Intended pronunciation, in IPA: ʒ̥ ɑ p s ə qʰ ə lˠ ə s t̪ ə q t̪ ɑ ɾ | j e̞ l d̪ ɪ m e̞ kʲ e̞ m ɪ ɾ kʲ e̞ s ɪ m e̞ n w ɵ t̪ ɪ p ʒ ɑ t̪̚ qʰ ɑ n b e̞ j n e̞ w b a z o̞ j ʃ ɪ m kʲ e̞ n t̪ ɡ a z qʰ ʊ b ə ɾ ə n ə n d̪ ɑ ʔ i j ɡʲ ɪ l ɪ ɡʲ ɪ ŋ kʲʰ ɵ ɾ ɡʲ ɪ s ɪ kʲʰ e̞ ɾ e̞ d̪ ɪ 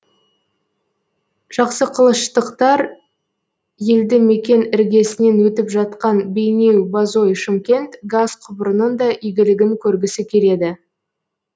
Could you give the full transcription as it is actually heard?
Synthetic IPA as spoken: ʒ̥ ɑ q s ə qʰ ə lˠ ə ʃ t̪ ə q t̪ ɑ ɾ | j e̞ l d̪ ɪ m e̞ kʲ e̞ n ɪ ɾ ɡʲ e̞ s ɪ n e̞ n w ɵ t̪ ɪ p ʒ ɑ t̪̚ q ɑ n b e̞ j n e̞ w b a z o̞ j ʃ ɪ m kʲ e̞ n t̪ ɡ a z qʰ ʊ b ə ɾ ə n ə n d̪ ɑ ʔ i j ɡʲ ɪ l ɪ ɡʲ ɪ ŋ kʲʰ ɵ ɾ ɡʲ ɪ s ɪ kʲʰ e̞ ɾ e̞ d̪ ɪ

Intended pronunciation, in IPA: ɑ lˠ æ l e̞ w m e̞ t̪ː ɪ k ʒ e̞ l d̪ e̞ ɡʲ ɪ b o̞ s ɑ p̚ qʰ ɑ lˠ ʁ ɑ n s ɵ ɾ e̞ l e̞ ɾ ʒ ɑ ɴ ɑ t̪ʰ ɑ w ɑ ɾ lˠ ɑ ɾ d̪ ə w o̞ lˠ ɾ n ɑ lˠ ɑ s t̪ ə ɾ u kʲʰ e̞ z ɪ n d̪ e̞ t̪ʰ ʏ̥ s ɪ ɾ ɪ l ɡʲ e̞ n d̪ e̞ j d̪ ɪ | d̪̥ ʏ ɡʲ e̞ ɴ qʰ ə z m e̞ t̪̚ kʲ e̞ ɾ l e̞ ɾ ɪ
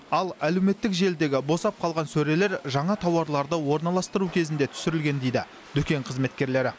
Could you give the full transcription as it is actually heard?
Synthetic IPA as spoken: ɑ lˠ æ l e̞ w m e̞ t̪ː ɪ k ʒ e̞ l d̪ e̞ ɡʲ ɪ b o̞ s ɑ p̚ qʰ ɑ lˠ ʁ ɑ n s ɵ ɾ e̞ l e̞ ɾ ʒ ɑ ɴ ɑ t̪ʰ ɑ w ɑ ɾ lˠ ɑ ɾ d̪ ə w o̞ ɾ n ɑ lˠ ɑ s t̪ ə ɾ u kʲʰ e̞ z ɪ n d̪ e̞ t̪ʰ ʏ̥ s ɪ ɾ ɪ l ɡʲ e̞ n d̪ e̞ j d̪ ɪ | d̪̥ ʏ kʲ e̞ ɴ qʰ ə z m e̞ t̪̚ kʲ e̞ ɾ l e̞ ɾ ɪ

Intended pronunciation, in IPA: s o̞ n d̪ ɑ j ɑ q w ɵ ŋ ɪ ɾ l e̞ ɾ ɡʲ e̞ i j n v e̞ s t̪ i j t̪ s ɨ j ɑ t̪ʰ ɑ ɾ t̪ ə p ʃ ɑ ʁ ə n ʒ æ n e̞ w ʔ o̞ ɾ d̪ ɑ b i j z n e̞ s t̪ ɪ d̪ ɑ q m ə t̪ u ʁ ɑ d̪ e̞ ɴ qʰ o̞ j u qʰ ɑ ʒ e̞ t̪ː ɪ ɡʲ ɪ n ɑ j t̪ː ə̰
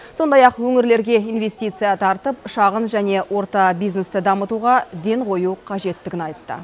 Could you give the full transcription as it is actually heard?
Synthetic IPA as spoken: s o̞ n d̪ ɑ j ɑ q w ɵ ŋ ɪ ɾ l e̞ ɾ ɡʲ e̞ i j n v e̞ s t̪ i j t̪ s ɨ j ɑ t̪ʰ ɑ ɾ t̪ ə p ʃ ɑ ʁ ə n ʒ æ n e̞ w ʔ o̞ ɾ t̪ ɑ b i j z n e̞ s t̪ ɪ d̪ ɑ m ə t̪ u ʁ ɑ d̪ e̞ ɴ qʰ o̞ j u qʰ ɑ ʒ e̞ t̪ː ɪ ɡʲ ɪ n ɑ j t̪ː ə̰

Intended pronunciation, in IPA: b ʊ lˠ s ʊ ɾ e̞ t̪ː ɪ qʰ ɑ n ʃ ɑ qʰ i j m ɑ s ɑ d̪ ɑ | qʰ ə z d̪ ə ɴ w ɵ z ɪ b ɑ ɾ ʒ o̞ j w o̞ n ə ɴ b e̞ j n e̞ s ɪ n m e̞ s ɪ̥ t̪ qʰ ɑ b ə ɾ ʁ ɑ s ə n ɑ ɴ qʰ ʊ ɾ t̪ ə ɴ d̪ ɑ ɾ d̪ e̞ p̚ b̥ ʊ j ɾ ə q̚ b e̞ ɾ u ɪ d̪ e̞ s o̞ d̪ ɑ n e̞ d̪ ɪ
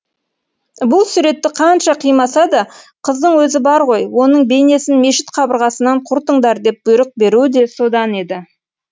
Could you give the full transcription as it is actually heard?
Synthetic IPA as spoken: b ʊ lˠ s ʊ ɾ e̞ t̪ː ɪ qʰ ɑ n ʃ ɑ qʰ i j m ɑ s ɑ d̪ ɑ | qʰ ə z d̪ ə ɴ w ɵ z ɪ b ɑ ɾ ʁ o̞ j w o̞ n ə ɴ b e̞ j n e̞ s ɪ n m e̞ ʃ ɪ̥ t̪ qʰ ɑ b ə ɾ ʁ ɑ s ə n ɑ ɴ qʰ ʊ ɾ t̪ ə ɴ d̪ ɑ ɾ d̪ e̞ p̚ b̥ ʊ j ɾ ə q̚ b e̞ ɾ u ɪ d̪ e̞ s o̞ d̪ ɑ n e̞ d̪ ɪ

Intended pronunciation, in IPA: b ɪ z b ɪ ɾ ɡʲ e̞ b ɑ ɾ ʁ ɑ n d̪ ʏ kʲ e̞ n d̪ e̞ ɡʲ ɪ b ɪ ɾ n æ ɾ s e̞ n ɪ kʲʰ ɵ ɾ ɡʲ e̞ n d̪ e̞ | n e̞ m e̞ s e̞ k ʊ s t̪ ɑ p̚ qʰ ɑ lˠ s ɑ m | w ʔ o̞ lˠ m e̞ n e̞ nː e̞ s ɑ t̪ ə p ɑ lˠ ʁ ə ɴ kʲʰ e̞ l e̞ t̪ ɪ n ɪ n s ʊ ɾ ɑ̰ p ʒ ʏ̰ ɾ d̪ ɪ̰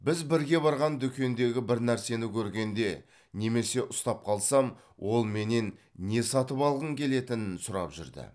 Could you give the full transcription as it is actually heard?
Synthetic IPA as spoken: b ɪ z b ɪ ɾ ɡʲ e̞ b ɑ ɾ ʁ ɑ n d̪ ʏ kʲ e̞ n d̪ e̞ ɡʲ ɪ b ɪ ɾ n æ ɾ s e̞ n ɪ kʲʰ ɵ ɾ ɡʲ e̞ n d̪ e̞ | n e̞ m e̞ s e̞ ʔ ʊ s t̪ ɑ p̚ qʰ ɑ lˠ s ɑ m | w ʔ o̞ lˠ m e̞ n e̞ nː e̞ s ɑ t̪ ə p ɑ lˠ ʁ ə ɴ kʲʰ e̞ l e̞ t̪ ɪ n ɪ n s ʊ ɾ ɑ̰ p ʒ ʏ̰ ɾ d̪ ɪ̰

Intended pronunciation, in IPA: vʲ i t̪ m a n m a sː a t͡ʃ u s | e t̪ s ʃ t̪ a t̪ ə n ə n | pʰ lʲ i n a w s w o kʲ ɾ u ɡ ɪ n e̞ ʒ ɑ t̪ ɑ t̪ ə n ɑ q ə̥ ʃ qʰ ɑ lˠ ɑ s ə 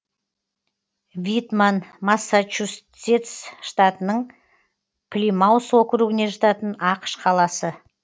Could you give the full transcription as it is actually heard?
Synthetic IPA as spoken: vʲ i t̪ m a n m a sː a t͡ʃ u s | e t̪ s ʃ t̪ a t̪ ə n ə ɴ | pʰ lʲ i m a w s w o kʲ ɾ u ɡ ɪ n e̞ ʒ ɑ t̪ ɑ t̪ ə n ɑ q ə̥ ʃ qʰ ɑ lˠ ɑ s ə

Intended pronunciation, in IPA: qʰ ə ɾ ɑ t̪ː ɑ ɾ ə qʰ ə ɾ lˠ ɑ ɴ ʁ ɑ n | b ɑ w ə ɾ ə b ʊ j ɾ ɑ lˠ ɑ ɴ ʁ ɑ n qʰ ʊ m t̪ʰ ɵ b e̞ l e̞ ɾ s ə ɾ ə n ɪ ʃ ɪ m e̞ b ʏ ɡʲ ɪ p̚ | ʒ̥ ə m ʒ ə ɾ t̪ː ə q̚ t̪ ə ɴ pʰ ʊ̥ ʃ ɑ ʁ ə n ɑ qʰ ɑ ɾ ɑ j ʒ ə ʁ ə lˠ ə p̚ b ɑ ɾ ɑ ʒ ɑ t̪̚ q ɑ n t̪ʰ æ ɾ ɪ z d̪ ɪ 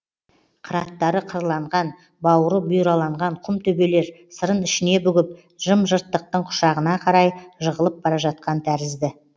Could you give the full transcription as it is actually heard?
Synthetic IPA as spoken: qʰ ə ɾ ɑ t̪ː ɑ ɾ ə qʰ ə ɾ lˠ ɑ ɴ ʁ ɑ n | b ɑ w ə ɾ ə b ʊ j ɾ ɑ lˠ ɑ ɴ ʁ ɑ ɴ qʰ ʊ m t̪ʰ ɵ b e̞ l e̞ ɾ s ə ɾ ə n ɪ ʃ ɪ n e̞ b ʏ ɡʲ ɪ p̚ | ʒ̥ ə m ʒ ə ɾ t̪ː ə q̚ t̪ ə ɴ qʰ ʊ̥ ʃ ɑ ʁ ə n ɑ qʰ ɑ ɾ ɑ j ʒ ə ʁ ə lˠ ə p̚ b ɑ ɾ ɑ ʒ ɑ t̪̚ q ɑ n t̪ʰ æ ɾ ɪ z d̪ ɪ

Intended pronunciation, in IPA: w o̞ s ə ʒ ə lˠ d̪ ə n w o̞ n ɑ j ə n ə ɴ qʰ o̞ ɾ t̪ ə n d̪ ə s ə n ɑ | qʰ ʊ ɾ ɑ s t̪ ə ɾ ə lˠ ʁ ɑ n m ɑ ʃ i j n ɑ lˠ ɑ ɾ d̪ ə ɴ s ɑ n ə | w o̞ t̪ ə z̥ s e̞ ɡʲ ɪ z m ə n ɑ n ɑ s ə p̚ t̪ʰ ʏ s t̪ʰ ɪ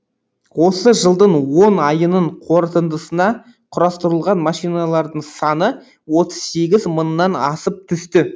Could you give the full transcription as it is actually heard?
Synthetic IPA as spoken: w o̞ s ə ʒ ə lˠ d̪ ə ɴ w o̞ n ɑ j ə n ə ɴ qʰ o̞ ɾ t̪ ə n d̪ ə s ə n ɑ | qʰ ʊ ɾ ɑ s t̪ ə ɾ ə lˠ ʁ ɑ n m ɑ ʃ i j n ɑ lˠ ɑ ɾ d̪ ə ɴ s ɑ n ə | w o̞ t̪ ə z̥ s e̞ ɡʲ ɪ z m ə nː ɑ n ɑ s ə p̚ t̪ʰ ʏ s t̪ ɪ

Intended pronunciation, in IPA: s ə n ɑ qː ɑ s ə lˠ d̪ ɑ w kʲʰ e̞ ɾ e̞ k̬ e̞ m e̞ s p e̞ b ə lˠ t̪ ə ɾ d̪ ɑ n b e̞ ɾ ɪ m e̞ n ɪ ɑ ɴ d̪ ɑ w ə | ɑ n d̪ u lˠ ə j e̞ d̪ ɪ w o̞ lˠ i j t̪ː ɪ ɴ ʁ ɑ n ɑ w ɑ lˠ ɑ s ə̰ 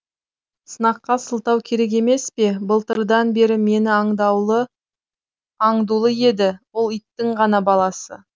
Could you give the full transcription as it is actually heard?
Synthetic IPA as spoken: s ə n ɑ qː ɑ s ə lˠ t̪ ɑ w kʲʰ e̞ ɾ e̞ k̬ e̞ m e̞ s p e̞ b ə lˠ t̪ ə ɾ d̪ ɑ n b e̞ ɾ ɪ m e̞ n ɪ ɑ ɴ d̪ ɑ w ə | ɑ ɴ d̪ u lˠ ə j e̞ d̪ ɪ w o̞ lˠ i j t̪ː ɪ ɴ ʁ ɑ n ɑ b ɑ lˠ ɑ s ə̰

